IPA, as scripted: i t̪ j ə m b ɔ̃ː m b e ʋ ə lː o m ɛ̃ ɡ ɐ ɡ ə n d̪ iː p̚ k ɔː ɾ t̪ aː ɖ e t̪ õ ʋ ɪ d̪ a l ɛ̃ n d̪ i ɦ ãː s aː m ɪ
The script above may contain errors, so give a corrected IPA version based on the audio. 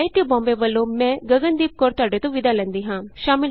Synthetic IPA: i t̪ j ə b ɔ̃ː m b e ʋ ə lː o m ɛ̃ ɡ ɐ ɡ ə n d̪ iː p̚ k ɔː ɾ t̪ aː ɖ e t̪ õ ʋ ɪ d̪ a l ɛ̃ n d̪ i ɦ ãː ʃ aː m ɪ

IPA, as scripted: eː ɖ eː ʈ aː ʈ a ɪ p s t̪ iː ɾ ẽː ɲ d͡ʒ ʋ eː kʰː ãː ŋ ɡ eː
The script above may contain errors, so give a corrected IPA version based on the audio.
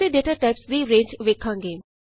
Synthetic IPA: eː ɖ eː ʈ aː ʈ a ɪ p s d̪ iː ɾ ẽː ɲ d͡ʒ ʋ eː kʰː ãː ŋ ɡ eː

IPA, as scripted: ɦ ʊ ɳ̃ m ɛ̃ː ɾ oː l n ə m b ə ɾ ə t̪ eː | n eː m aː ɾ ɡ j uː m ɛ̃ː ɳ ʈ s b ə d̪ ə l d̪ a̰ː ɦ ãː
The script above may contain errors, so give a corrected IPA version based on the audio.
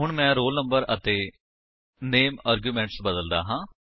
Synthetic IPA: ɦ ʊ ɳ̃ m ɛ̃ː ɾ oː l n ə m b ə ɾ ə t̪ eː | n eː m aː ɾ ɡ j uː m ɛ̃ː ɳ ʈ s b ə d̪ ə l d̪ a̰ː ɦ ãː

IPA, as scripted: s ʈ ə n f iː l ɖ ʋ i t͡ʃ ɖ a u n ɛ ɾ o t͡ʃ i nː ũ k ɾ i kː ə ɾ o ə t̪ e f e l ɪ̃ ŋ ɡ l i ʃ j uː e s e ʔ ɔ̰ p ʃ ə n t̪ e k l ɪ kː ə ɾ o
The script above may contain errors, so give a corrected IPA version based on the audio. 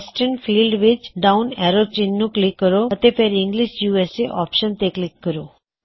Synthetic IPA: s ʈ ə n f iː l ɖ ʋ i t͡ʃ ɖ a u n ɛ ɾ o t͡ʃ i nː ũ k l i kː ə ɾ o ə t̪ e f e ɾ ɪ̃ ŋ ɡ l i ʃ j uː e s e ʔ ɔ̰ p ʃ ə n t̪ e k l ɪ kː ə ɾ o

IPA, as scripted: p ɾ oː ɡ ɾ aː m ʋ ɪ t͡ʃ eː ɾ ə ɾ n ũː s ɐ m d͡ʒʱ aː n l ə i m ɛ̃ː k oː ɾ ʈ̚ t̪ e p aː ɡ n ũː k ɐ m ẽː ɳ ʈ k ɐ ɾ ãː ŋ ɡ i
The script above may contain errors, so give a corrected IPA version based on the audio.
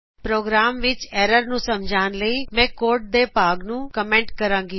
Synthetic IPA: p ɾ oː ɡ ɾ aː m ʋ ɪ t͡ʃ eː ɾ ə ɾ n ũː s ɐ m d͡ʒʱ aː n l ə i m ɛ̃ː k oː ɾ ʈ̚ d̪ e p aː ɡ n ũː k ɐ m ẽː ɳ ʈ k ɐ ɾ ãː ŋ ɡ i

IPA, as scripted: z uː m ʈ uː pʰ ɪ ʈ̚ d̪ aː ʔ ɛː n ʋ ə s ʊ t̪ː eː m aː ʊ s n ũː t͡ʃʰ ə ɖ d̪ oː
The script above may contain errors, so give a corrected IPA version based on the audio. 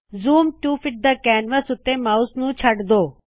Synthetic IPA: z uː m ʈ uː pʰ ɪ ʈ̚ d̪ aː k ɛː n ʋ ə s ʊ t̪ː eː m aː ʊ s n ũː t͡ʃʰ ə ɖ d̪ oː

